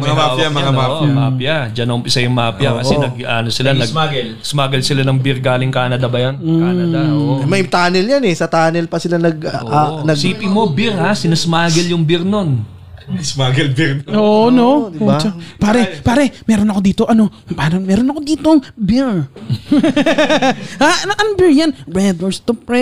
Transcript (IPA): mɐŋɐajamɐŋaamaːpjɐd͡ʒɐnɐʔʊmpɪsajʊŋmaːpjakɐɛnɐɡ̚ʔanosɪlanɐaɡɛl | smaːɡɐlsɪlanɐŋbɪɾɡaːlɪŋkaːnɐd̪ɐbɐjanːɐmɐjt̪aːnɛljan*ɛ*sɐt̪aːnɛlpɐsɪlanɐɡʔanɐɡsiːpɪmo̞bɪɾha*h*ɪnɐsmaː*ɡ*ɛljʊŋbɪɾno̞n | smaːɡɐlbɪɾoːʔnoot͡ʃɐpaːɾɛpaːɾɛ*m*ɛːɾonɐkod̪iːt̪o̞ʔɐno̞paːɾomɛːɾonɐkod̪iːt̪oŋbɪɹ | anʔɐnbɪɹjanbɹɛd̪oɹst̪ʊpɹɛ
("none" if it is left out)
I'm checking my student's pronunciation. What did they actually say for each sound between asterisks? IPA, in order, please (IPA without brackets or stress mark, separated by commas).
ɛ, s, ɡ, m